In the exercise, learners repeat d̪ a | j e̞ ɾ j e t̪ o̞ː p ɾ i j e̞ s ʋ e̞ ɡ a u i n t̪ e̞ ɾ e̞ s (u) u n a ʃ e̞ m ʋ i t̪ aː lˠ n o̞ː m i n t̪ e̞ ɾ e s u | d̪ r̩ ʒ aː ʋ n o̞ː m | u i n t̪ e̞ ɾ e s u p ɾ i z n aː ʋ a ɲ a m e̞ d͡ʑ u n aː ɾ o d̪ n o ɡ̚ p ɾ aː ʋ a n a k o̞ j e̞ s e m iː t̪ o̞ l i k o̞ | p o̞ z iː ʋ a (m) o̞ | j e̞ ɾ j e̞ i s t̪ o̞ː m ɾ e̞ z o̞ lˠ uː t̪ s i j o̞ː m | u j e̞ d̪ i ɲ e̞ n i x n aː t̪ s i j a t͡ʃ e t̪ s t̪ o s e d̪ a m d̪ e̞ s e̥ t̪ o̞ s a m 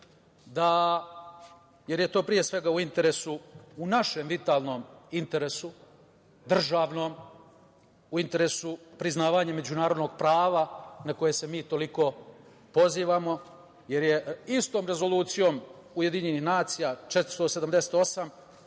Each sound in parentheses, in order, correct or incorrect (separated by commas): correct, correct